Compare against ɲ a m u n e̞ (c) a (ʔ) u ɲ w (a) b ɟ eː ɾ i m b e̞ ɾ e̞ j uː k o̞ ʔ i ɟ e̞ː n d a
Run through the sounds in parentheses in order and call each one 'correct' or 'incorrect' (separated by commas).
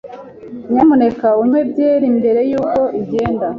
incorrect, incorrect, incorrect